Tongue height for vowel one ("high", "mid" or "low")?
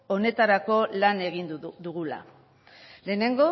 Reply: mid